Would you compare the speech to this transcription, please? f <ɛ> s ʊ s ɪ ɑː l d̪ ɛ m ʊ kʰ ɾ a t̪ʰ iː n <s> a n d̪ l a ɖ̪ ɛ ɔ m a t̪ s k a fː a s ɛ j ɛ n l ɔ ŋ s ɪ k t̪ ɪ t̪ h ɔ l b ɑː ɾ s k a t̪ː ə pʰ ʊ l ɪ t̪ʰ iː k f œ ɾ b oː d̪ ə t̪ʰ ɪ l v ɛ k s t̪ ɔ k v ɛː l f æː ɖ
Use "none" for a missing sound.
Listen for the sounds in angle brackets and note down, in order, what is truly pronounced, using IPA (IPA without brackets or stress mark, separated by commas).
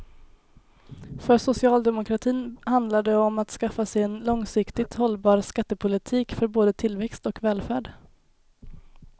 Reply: œ, h